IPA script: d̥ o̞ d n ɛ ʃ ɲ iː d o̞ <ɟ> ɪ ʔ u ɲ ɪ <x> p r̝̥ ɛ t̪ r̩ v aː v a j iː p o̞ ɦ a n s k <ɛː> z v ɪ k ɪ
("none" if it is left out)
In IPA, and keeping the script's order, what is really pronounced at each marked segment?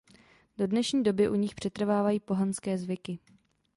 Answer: b, x, ɛː

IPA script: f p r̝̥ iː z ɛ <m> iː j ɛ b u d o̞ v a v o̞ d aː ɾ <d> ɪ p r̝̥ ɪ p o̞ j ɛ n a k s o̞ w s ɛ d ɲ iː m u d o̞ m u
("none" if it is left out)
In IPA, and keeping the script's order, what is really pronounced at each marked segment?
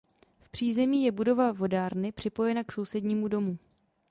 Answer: m, n

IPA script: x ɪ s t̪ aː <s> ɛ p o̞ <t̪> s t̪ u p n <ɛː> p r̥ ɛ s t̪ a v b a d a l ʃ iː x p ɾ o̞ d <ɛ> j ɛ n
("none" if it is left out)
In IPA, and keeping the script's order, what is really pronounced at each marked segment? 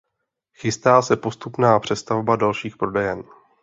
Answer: s, none, aː, ɛ

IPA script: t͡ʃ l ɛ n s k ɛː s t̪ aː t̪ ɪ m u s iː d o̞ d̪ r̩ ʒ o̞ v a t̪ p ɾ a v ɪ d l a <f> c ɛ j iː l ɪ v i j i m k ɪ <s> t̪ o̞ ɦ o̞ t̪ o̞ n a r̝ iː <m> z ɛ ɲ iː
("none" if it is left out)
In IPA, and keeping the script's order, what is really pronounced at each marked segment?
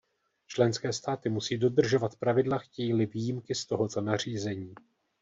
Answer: x, s, none

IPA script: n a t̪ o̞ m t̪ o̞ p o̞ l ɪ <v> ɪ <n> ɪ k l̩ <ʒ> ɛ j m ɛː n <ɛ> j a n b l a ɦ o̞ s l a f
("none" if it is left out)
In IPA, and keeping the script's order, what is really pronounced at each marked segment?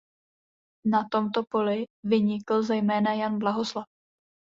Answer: v, ɲ, z, a

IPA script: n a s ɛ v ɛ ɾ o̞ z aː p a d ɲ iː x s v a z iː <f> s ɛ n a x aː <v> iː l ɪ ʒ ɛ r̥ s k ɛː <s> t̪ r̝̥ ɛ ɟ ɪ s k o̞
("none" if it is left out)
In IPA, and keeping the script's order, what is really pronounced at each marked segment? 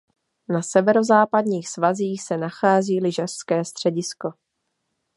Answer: x, z, s

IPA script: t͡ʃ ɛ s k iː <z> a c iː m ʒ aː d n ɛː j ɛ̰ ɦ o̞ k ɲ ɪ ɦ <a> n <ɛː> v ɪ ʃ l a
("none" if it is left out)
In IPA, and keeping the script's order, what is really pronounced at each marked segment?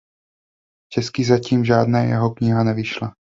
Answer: z, a, ɛ

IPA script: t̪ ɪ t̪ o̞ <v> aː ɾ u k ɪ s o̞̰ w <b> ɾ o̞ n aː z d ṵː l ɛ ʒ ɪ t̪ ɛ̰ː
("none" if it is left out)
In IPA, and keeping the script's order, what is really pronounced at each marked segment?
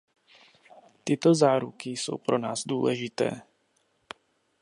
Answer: z, p

